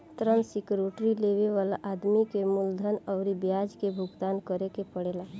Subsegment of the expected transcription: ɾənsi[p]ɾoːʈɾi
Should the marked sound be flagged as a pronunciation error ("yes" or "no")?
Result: yes